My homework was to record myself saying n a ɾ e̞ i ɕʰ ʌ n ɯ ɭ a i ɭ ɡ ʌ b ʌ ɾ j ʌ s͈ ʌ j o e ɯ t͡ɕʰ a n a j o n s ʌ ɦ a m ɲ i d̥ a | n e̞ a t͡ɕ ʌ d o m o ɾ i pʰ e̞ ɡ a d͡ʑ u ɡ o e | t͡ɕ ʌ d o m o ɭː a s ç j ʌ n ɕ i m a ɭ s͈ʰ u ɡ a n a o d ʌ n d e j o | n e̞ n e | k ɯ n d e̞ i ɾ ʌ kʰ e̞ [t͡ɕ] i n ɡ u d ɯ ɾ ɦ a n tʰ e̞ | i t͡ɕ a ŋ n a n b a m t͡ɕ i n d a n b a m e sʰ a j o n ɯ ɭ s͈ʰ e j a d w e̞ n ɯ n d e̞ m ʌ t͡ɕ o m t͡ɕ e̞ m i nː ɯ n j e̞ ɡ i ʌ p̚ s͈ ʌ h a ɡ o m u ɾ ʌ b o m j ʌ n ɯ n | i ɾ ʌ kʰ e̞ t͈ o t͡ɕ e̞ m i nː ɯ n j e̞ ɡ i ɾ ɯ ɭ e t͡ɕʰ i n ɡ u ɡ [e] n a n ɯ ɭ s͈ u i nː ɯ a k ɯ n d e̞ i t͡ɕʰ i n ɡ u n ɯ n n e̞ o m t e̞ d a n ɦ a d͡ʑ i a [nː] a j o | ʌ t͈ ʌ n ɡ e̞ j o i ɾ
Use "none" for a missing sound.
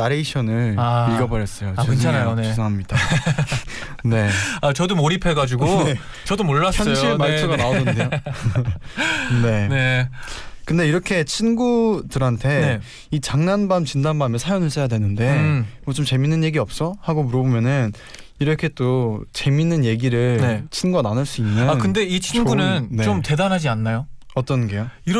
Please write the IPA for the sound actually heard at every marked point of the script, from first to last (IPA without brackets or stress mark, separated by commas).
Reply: t͡ɕʰ, a, nː